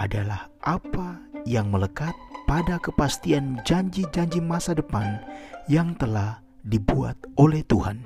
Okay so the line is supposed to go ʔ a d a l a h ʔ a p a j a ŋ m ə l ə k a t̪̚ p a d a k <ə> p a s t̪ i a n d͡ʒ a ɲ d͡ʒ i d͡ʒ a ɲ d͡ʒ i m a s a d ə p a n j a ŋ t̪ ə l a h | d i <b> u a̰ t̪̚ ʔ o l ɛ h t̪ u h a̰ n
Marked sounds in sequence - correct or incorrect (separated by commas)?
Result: correct, correct